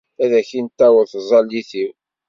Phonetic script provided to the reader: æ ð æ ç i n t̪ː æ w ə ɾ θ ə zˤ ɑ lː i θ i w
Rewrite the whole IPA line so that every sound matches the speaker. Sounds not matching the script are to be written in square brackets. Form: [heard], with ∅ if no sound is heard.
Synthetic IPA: æ ð æ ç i n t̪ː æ w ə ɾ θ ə zˤ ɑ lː i θ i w